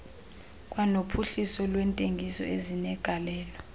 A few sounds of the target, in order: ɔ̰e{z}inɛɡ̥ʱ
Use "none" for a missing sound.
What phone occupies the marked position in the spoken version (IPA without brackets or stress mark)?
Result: z